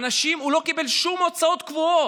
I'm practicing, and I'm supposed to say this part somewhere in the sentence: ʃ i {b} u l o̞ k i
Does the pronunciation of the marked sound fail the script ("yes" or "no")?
yes